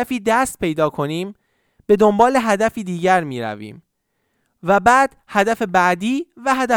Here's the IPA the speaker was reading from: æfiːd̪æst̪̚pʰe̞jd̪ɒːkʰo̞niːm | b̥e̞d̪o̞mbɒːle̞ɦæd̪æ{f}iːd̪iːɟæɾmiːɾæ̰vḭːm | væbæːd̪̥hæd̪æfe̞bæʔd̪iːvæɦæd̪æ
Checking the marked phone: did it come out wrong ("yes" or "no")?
no